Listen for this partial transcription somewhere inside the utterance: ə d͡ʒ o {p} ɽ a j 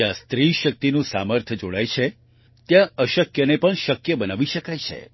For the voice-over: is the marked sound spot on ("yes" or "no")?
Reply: no